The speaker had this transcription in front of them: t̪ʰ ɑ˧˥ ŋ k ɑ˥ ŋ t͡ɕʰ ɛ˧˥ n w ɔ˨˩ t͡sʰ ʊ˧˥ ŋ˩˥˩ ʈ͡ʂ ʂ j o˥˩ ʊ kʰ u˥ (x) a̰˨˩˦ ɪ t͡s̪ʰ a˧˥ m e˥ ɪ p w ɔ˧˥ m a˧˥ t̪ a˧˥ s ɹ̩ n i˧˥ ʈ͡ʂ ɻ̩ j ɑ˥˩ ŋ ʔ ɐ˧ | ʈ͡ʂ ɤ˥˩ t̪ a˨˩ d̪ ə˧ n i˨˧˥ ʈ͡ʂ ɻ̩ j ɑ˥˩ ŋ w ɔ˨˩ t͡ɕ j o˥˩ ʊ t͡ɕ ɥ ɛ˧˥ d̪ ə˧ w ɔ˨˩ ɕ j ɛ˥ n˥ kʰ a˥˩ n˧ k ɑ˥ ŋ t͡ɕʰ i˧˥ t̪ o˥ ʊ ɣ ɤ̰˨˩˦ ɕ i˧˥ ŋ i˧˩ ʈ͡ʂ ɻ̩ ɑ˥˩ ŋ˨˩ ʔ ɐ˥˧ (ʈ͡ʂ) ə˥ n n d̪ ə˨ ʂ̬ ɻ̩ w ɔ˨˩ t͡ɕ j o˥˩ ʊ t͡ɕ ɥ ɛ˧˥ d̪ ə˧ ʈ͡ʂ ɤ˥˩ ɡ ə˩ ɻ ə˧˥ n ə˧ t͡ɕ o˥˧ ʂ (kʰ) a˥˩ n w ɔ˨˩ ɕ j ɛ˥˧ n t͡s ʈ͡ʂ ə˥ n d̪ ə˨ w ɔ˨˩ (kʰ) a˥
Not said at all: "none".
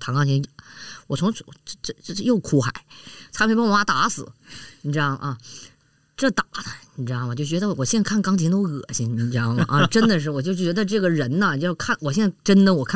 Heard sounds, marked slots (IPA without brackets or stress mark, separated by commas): x, ʈ͡ʂ, kʰ, kʰ